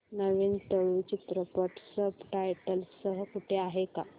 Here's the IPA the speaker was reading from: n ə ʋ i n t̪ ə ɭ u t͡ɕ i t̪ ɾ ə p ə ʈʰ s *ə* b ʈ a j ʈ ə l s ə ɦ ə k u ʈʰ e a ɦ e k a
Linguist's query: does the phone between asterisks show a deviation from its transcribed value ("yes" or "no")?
no